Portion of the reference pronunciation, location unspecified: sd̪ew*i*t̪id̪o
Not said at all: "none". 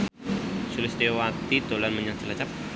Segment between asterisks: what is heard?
a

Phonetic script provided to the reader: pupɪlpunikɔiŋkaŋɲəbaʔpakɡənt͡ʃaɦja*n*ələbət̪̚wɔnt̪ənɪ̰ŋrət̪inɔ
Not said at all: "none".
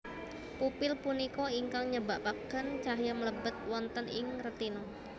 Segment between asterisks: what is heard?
m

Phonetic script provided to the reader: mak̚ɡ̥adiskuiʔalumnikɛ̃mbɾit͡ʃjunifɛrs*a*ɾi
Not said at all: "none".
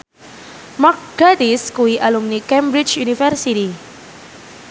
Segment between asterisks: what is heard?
i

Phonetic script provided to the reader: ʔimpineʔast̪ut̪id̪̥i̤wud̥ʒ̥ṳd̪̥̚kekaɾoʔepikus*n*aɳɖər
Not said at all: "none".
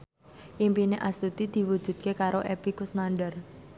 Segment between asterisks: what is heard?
n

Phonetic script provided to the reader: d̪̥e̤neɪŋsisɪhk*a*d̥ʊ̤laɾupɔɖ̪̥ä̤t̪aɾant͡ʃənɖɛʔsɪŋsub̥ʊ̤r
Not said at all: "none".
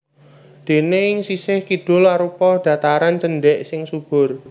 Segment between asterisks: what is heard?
i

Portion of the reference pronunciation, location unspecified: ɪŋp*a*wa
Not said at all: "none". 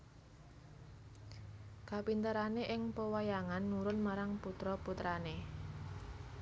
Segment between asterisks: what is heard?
ə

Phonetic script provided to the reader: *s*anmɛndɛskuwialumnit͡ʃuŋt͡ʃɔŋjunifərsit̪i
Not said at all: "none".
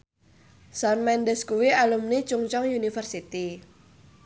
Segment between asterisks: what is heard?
s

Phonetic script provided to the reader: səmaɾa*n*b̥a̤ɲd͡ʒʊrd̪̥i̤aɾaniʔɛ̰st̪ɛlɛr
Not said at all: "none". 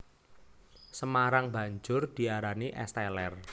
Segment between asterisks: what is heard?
ŋ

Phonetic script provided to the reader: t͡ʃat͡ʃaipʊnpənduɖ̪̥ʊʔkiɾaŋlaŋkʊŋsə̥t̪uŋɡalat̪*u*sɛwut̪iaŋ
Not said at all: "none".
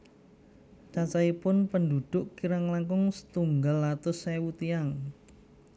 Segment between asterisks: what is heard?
ʊ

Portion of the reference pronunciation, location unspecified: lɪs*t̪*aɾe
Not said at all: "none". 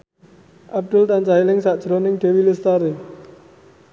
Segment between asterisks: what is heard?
t̪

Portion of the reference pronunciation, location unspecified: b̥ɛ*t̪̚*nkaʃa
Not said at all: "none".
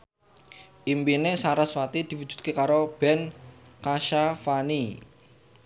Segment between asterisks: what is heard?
none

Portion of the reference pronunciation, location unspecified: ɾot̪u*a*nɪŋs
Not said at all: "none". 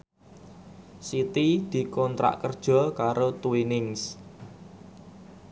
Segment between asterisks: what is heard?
i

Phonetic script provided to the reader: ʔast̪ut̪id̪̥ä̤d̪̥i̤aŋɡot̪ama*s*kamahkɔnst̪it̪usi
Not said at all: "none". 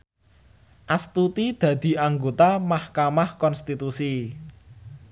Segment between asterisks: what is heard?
h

